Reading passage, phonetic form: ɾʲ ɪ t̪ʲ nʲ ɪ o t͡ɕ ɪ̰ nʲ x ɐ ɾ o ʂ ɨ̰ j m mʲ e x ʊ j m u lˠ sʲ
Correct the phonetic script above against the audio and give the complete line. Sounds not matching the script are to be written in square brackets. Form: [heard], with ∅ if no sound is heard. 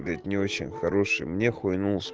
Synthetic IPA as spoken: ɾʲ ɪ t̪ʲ nʲ ɪ o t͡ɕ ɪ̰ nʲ x ɐ ɾ o ʂ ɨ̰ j m [nʲ] e x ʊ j [n] u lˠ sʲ